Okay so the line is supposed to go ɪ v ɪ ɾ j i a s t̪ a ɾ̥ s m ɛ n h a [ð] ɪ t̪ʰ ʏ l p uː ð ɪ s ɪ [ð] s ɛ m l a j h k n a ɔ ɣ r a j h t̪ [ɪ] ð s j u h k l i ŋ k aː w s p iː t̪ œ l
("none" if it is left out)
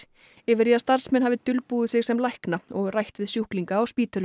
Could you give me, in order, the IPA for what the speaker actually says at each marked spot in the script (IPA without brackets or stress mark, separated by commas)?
v, ɣ, ɪ